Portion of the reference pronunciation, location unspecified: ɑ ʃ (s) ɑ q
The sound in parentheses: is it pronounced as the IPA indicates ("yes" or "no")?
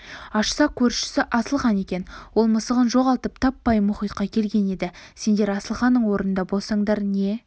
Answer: yes